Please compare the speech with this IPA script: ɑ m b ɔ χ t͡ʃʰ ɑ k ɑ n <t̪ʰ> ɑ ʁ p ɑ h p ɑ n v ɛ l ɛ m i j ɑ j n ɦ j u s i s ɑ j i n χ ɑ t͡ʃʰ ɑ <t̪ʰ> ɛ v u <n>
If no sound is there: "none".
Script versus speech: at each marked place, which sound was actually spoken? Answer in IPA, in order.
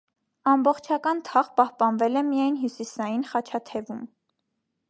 t̪ʰ, t̪ʰ, m

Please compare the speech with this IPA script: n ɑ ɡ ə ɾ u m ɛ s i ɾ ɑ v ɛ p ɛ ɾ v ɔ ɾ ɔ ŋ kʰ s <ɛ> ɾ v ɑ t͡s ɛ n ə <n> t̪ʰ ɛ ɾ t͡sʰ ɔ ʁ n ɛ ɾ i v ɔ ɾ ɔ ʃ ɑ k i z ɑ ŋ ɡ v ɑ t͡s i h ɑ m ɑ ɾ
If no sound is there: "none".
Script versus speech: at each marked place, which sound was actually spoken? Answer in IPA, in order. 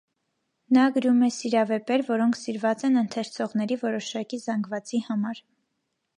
i, n

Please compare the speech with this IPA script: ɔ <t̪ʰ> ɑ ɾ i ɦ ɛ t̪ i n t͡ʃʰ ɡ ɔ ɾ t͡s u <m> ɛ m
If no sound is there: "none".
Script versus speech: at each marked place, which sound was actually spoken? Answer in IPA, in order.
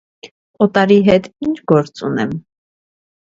t̪, n

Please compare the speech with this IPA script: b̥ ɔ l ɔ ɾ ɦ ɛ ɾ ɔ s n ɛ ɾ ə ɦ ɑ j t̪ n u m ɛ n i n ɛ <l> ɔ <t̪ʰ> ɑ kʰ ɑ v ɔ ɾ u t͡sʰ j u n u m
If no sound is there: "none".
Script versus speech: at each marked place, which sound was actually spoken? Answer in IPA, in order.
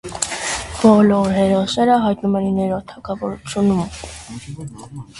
ɾ, t̪ʰ

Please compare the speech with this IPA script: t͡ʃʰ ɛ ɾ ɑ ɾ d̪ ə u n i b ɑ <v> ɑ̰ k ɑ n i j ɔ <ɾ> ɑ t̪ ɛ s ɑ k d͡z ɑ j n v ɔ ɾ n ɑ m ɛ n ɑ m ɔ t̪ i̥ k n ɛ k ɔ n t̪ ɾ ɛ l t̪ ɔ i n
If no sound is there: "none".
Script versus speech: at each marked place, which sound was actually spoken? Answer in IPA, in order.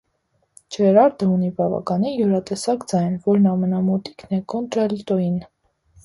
v, ɾ

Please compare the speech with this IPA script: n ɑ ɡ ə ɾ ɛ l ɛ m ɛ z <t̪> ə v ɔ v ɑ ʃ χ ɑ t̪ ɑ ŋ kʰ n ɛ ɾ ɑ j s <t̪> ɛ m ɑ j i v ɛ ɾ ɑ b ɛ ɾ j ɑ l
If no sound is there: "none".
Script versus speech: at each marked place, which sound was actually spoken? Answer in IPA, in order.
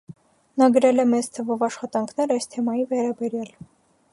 t̪ʰ, t̪ʰ

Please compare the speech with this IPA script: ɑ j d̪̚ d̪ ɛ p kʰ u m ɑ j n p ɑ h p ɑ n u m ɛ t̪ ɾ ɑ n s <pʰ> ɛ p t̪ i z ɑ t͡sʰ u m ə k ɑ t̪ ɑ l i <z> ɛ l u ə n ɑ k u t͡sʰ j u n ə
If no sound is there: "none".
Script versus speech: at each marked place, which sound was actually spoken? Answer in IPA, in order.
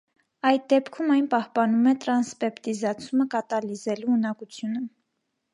p, z

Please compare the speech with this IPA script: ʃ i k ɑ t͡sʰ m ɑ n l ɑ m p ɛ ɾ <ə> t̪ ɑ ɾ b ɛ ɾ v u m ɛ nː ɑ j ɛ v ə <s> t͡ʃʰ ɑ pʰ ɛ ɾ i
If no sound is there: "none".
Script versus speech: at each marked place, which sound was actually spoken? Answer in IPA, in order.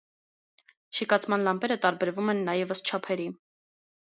ə, s

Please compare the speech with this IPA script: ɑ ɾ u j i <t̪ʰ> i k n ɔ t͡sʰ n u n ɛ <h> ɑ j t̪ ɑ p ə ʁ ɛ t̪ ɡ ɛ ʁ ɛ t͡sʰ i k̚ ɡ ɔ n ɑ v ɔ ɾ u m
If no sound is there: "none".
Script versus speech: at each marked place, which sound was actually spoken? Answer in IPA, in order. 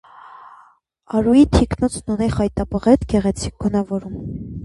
t̪ʰ, χ

